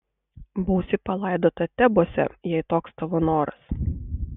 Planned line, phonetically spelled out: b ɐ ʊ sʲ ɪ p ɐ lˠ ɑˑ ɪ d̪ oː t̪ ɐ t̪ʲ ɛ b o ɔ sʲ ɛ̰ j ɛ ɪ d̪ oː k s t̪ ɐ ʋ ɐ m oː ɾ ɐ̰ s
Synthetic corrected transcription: b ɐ ʊ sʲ ɪ p ɐ lˠ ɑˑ ɪ d̪ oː t̪ ɐ t̪ʲ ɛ b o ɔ sʲ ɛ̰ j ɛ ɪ t̪ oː k s t̪ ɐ ʋ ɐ n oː ɾ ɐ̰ s